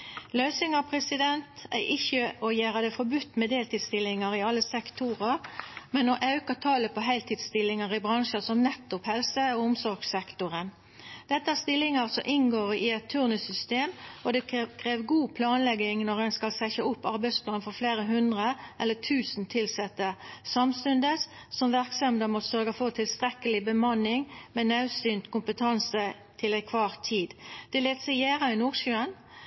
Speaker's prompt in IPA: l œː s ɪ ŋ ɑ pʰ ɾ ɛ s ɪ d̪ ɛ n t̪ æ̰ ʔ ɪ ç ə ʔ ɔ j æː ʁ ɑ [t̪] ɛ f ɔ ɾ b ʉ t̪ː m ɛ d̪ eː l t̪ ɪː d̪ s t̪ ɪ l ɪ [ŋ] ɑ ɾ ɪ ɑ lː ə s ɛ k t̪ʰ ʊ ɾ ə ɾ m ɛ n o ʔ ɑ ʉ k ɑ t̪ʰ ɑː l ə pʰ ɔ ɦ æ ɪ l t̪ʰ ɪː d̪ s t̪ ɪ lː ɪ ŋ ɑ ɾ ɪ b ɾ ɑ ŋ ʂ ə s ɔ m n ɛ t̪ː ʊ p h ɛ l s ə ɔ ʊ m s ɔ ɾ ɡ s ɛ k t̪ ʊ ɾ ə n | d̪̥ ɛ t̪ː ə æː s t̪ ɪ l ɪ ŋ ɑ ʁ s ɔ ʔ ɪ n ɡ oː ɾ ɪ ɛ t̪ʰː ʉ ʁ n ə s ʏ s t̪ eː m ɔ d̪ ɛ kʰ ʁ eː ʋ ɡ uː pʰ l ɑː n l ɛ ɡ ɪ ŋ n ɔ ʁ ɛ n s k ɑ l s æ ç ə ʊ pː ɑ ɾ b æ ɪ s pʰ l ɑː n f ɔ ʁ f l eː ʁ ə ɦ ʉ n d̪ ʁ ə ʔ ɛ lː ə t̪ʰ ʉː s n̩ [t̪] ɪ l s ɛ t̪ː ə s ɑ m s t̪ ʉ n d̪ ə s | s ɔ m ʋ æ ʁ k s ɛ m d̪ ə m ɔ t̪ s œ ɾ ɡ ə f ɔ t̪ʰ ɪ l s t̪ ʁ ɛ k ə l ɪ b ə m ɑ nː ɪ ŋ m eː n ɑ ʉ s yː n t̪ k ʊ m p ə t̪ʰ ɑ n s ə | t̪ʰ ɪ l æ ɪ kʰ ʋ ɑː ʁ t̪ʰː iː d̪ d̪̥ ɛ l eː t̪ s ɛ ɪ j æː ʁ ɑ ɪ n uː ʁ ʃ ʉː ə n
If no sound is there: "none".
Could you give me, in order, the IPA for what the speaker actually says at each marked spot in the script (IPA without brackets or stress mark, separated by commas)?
d̪, ŋ, t̪ʰ